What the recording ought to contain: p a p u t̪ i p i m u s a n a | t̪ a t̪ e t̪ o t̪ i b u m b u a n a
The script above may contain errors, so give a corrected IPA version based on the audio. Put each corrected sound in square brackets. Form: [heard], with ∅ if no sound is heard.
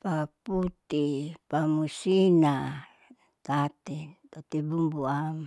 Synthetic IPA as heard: p a p u t̪ i p [a] m u s [i] n a | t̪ a t̪ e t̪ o t̪ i b u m b u a [m] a